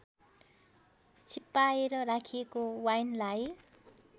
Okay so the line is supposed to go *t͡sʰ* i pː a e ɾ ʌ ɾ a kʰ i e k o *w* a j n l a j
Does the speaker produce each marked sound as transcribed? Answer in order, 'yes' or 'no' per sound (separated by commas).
yes, yes